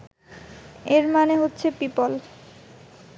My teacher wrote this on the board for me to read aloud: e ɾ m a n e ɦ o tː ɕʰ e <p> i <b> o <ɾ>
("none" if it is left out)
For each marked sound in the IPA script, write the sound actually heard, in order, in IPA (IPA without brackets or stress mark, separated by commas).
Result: p, p, l